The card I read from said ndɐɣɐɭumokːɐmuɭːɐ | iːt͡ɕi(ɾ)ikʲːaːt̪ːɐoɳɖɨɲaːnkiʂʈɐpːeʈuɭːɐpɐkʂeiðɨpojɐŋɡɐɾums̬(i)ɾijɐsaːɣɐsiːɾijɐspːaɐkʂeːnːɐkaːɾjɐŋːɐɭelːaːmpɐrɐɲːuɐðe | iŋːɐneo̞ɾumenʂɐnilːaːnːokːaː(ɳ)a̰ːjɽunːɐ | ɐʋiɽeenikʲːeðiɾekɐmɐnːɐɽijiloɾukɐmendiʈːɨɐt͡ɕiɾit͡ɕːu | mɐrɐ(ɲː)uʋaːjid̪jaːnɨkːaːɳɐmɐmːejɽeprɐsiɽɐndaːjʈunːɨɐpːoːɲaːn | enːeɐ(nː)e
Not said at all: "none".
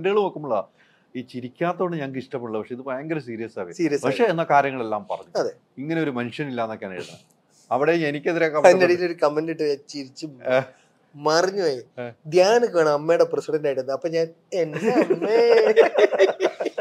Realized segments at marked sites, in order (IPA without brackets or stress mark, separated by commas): ɾ, iː, n, ɲː, mː